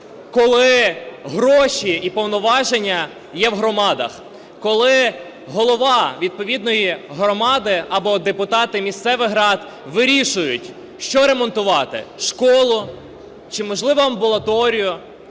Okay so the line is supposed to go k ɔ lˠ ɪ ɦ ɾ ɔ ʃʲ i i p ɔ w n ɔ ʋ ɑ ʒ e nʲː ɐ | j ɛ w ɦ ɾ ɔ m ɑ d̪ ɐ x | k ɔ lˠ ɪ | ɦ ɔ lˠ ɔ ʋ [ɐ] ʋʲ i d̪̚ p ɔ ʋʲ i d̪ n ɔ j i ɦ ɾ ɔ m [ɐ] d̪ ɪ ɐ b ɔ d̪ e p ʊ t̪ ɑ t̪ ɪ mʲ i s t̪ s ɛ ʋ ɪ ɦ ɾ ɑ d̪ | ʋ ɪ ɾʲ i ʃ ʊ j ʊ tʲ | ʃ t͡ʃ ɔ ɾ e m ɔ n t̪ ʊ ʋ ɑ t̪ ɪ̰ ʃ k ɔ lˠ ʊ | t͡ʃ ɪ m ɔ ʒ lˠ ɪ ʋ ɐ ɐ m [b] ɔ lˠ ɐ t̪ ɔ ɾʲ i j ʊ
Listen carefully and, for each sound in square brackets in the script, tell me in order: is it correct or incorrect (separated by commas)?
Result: incorrect, incorrect, correct